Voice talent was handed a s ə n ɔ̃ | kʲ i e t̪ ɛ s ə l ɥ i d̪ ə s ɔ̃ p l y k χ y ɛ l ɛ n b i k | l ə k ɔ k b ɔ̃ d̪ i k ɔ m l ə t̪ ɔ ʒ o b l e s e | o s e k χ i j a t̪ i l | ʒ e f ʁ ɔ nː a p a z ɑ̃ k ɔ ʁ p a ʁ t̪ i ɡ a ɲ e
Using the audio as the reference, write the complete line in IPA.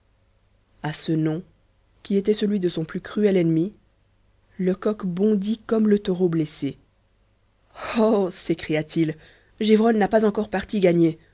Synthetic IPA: a s ə n ɔ̃ | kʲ i e t̪ ɛ s ə l ɥ i d̪ ə s ɔ̃ p l y k χ y ɛ l ɛ n m i | l ə k ɔ k b ɔ̃ d̪ i k ɔ m l ə t̪ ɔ ʁ o b l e s e | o s e k χ i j a t̪ i l | ʒ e v ʁ ɔ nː a p a z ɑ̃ k ɔ ʁ p a ʁ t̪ i ɡ a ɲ e